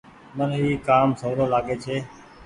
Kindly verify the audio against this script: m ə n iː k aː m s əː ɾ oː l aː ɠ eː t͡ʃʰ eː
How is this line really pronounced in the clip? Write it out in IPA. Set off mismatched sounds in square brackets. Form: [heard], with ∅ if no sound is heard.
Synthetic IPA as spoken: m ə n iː k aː m s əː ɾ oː l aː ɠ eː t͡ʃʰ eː